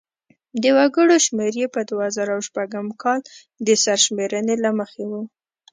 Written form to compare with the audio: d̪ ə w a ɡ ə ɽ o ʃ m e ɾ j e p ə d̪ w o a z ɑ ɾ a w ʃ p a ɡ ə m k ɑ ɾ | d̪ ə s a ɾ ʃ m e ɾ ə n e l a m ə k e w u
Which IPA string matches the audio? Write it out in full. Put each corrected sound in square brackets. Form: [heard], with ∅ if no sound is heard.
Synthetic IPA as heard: d̪ ə w a ɡ ə ɽ o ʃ m e ɾ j e p ə d̪ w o a z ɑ ɾ a w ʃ p a ɡ ə m k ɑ [l] | d̪ ə s a ɾ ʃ m e ɾ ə n e l a m ə [x] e w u